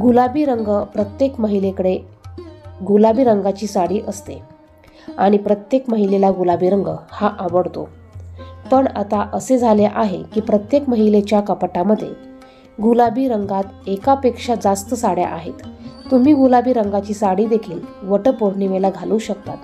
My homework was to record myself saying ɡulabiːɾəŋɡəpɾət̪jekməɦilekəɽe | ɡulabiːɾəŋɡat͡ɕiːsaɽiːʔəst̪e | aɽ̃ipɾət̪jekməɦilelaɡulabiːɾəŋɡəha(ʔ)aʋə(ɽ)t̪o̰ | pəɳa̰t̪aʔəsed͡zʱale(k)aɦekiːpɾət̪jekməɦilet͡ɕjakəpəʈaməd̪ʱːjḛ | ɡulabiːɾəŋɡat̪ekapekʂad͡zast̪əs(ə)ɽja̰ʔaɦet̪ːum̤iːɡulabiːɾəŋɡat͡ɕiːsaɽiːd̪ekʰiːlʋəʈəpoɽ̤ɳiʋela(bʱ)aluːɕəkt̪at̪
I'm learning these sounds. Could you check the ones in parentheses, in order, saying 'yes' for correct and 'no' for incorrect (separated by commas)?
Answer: yes, yes, no, no, no